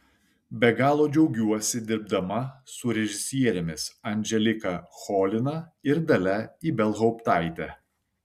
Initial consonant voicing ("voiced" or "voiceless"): voiced